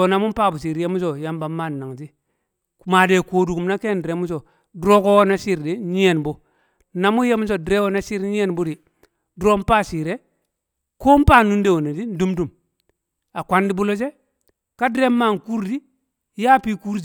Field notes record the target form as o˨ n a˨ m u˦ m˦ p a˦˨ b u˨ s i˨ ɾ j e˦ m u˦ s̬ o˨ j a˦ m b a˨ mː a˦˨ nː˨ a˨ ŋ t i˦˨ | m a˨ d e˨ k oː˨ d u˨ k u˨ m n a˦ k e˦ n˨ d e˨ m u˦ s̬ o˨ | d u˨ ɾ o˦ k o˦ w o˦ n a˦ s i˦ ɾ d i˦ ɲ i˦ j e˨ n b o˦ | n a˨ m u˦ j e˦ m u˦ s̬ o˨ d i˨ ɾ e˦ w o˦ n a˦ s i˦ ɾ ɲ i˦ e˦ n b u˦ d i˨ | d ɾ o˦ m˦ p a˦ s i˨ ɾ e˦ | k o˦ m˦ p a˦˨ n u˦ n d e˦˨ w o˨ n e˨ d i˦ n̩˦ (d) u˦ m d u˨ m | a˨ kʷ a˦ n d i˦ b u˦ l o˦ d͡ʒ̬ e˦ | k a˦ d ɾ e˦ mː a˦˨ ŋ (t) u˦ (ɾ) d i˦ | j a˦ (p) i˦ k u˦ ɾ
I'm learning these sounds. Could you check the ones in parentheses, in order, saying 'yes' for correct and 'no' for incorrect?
yes, no, yes, yes

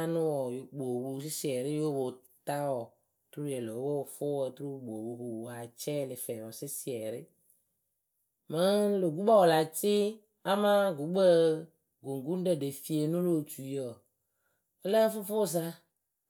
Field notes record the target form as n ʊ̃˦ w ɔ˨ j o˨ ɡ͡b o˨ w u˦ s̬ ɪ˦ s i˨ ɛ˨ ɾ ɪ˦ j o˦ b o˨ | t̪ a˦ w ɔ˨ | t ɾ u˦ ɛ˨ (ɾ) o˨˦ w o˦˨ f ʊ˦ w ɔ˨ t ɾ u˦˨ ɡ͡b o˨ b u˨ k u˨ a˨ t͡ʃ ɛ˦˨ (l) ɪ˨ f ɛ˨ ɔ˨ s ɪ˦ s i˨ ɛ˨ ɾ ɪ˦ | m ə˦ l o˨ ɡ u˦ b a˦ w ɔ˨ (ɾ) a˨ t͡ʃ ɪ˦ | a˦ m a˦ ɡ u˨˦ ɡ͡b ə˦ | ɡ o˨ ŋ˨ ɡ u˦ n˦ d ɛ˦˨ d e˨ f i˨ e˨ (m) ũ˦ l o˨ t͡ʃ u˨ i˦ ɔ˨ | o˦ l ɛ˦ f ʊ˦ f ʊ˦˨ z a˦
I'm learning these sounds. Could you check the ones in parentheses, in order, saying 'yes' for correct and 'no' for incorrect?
no, yes, no, no

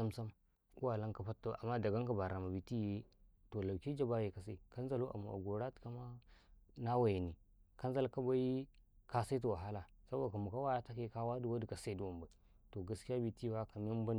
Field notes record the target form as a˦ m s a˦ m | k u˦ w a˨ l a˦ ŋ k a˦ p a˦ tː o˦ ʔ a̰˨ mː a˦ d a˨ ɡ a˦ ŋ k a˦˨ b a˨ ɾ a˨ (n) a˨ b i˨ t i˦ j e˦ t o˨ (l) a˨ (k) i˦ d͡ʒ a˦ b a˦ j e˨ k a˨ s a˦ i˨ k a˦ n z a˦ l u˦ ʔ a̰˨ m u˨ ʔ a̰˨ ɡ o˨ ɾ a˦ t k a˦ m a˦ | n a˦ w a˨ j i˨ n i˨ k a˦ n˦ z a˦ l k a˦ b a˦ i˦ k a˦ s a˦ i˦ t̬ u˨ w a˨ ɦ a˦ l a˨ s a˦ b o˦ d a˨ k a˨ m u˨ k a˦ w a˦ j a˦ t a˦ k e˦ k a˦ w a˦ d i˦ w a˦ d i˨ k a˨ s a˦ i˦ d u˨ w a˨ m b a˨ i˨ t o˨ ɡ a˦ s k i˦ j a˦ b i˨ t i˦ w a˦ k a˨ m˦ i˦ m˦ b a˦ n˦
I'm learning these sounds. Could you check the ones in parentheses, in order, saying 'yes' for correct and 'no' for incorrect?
no, yes, yes

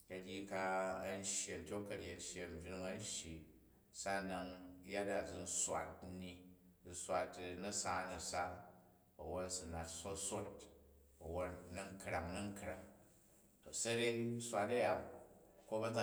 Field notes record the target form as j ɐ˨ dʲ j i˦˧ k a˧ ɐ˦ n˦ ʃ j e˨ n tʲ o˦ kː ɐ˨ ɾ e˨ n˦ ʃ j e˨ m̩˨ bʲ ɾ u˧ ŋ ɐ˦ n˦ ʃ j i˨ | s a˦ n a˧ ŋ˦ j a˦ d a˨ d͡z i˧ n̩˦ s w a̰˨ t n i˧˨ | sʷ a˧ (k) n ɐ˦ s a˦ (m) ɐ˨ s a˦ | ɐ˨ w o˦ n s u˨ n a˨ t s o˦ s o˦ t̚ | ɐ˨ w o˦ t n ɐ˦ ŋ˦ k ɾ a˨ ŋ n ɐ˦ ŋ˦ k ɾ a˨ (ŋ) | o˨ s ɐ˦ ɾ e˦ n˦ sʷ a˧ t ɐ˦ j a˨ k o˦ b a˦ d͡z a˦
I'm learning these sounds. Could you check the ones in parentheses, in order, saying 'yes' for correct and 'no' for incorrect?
no, no, yes

